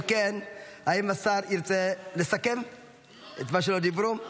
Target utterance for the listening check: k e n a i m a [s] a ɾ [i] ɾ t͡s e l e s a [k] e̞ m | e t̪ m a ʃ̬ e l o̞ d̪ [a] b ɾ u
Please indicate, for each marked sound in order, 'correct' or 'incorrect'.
correct, correct, correct, incorrect: i

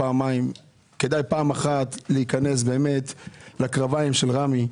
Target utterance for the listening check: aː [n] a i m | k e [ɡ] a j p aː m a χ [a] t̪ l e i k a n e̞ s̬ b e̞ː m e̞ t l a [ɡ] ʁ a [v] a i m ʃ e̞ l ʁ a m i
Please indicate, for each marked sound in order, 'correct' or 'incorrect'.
incorrect: m, incorrect: d, correct, incorrect: k, correct

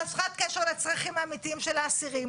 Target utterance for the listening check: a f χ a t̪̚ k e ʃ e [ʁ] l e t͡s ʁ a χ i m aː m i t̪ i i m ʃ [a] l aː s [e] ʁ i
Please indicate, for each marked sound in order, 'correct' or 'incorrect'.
correct, incorrect: e, incorrect: i

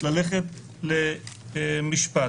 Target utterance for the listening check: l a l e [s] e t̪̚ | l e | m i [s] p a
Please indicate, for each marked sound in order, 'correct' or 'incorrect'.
incorrect: χ, incorrect: ʃ

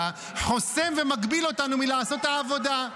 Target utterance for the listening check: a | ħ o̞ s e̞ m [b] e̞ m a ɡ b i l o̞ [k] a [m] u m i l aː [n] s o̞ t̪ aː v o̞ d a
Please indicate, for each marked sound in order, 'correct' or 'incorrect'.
incorrect: v, incorrect: t, incorrect: n, incorrect: none

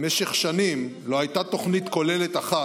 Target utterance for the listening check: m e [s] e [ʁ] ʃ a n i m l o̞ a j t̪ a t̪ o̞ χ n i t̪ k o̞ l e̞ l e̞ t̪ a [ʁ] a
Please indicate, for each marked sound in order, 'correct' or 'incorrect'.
incorrect: ʃ, incorrect: χ, incorrect: χ

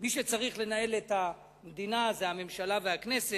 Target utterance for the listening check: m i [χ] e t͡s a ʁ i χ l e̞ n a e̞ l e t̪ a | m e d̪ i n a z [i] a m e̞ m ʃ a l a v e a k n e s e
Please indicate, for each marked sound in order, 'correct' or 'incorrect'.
incorrect: ʃ, incorrect: e

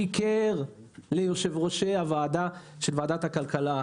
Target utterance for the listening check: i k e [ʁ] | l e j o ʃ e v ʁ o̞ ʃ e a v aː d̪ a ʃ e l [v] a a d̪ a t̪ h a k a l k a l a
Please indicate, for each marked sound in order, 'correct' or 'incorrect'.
correct, correct

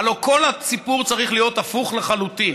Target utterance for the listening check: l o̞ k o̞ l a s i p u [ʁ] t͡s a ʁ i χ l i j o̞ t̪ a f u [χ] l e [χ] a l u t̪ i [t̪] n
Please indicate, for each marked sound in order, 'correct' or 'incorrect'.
correct, correct, correct, incorrect: none

